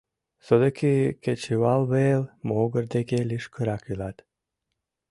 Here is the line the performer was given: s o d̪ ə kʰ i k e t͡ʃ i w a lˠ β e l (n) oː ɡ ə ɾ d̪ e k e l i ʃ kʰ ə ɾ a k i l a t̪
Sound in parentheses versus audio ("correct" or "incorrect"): incorrect